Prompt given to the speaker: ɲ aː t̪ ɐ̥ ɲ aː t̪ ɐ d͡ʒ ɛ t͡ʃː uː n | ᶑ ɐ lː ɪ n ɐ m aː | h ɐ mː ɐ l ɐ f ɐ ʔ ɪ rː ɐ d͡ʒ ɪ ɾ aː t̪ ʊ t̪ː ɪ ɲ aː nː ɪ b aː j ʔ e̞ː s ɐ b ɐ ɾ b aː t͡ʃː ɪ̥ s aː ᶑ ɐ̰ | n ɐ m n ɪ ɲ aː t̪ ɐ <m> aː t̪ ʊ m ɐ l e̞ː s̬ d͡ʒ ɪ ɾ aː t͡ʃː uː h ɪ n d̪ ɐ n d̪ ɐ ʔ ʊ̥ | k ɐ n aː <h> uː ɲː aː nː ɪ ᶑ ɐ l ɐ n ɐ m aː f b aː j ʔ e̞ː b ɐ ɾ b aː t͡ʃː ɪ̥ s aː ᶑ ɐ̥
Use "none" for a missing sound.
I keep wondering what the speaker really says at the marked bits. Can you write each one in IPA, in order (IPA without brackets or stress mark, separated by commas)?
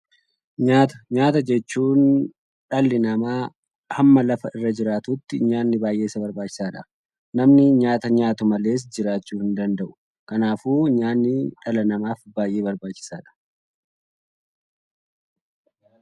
ɲ, f